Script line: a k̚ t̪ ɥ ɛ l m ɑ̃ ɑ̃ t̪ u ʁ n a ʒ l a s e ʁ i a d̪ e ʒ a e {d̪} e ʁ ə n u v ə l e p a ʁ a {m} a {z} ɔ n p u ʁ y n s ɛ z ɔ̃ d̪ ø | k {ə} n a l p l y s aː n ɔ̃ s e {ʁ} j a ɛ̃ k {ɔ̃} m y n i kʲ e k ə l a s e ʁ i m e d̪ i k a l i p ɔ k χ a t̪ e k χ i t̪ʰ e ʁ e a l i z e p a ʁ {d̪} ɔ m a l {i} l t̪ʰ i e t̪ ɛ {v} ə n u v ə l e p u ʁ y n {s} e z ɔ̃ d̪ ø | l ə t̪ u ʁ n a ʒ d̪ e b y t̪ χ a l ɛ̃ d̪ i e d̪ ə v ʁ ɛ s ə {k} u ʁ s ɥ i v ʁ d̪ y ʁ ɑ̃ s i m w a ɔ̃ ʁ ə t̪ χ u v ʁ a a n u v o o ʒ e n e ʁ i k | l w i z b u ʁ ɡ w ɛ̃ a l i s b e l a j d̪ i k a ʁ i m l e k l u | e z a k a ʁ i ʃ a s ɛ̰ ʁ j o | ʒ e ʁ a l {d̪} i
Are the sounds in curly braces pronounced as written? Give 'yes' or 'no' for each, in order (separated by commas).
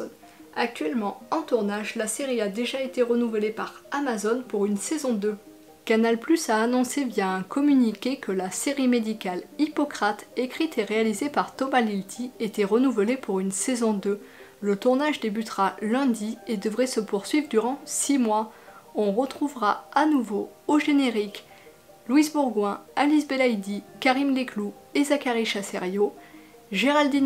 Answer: no, yes, yes, no, no, no, no, yes, no, yes, no, yes